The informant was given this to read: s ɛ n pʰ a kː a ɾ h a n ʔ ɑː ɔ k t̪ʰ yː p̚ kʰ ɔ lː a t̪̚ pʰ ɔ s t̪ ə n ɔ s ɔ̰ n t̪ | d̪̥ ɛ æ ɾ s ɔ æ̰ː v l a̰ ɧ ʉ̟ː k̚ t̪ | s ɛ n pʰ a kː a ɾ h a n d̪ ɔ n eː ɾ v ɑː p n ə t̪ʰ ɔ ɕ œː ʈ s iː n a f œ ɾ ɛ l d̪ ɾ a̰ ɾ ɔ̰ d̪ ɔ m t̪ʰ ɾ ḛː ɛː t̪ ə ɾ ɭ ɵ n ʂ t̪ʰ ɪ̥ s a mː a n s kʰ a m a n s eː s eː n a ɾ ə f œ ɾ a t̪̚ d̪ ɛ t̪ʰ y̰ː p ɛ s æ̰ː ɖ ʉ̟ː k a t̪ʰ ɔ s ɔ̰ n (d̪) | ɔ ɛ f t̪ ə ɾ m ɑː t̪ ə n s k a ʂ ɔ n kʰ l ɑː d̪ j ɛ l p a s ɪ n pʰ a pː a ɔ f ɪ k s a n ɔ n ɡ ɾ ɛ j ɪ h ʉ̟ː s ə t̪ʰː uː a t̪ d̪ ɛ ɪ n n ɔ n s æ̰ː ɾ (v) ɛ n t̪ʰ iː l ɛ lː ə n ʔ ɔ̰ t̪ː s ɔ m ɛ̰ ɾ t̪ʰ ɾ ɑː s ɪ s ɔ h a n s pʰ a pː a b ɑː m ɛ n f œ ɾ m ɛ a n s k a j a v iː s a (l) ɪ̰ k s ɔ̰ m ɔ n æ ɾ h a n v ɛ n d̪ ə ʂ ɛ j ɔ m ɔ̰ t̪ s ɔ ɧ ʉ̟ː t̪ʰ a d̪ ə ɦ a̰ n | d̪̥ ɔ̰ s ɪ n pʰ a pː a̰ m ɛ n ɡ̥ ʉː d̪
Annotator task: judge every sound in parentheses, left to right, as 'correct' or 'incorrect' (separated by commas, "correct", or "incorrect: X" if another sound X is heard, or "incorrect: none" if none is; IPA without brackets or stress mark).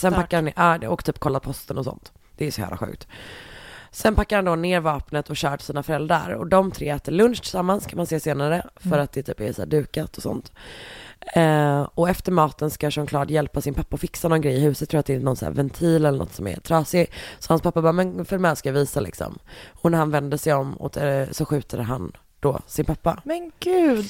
incorrect: t̪, correct, correct